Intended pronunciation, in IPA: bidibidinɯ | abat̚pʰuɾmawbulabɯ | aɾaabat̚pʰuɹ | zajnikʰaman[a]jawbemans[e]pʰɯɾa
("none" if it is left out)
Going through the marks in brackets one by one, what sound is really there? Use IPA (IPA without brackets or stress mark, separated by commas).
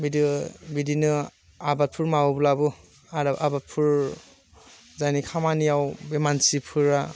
i, i